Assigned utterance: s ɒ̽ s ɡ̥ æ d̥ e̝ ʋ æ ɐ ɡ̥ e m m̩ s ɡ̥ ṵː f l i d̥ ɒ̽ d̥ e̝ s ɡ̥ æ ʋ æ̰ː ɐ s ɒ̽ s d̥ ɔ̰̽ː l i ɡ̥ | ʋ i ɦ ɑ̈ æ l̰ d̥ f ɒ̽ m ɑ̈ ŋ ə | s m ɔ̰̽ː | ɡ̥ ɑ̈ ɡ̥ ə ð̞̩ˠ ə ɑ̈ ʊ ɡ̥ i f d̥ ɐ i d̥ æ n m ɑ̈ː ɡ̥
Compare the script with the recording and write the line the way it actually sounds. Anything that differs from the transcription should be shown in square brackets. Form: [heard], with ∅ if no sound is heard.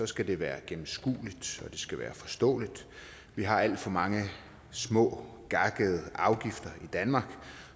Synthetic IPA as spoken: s ɒ̽ s ɡ̥ æ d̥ e̝ ʋ [æː] ɐ ɡ̥ e m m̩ s ɡ̥ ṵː [∅] l i d̥ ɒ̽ d̥ e̝ s ɡ̥ æ ʋ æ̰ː ɐ [f] ɒ̽ s d̥ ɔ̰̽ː l i [d̥] | ʋ i ɦ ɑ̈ æ l̰ d̥ f ɒ̽ m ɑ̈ ŋ ə | s m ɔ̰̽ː | ɡ̥ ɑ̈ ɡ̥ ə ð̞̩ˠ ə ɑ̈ ʊ ɡ̥ i f d̥ ɐ i d̥ æ n m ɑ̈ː ɡ̥